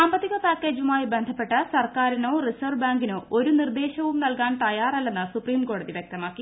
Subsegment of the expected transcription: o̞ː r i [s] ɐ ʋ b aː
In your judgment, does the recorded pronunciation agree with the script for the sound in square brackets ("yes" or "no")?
yes